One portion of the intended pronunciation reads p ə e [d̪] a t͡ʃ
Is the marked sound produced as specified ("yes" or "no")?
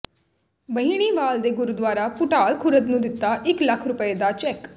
yes